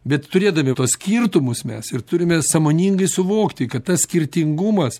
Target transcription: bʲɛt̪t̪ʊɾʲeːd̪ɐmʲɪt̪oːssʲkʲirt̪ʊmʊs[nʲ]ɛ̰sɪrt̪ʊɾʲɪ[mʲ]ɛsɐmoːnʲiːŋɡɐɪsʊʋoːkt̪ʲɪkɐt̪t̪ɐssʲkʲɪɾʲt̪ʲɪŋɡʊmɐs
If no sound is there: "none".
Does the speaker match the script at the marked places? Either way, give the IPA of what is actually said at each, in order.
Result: mʲ, mʲ

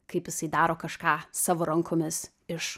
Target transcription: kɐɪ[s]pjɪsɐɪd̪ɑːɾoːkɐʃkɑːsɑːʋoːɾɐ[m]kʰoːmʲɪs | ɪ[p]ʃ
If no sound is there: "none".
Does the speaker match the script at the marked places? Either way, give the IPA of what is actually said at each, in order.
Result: none, ŋ, none

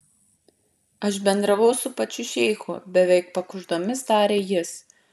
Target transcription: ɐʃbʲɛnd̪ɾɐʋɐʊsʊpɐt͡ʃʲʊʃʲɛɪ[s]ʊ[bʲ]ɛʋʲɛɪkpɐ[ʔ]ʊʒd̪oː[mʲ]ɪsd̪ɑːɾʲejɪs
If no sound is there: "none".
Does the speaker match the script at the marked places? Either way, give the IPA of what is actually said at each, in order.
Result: x, bʲ, k, mʲ

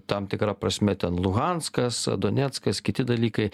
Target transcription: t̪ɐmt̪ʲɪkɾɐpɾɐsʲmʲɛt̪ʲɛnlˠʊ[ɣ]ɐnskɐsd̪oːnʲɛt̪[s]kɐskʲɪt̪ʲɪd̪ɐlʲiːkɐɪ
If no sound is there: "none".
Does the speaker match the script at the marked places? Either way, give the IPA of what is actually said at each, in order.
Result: ɣ, s

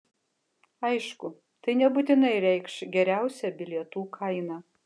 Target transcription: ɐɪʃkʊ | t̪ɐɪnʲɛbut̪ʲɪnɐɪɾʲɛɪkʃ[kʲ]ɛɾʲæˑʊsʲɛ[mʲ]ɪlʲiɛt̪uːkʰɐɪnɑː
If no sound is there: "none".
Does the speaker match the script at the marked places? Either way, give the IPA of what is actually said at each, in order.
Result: ɡʲ, bʲ

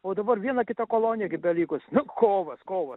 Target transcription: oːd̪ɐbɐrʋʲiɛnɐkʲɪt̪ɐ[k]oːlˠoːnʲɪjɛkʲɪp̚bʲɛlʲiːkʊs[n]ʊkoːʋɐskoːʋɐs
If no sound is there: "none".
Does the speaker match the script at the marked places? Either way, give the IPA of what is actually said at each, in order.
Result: k, n

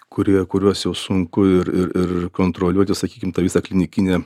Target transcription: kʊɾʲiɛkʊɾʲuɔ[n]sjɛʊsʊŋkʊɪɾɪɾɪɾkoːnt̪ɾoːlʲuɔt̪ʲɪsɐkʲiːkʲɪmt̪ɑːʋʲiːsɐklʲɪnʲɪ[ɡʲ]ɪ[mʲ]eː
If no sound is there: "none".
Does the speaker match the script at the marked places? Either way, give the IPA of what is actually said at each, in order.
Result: none, kʲ, nʲ

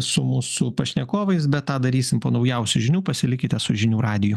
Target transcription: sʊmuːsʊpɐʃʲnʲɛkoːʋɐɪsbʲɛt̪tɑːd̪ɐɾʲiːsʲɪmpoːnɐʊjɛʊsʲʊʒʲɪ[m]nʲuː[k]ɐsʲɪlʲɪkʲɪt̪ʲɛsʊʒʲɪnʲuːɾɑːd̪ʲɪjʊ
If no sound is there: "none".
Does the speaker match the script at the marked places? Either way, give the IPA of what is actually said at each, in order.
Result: none, p

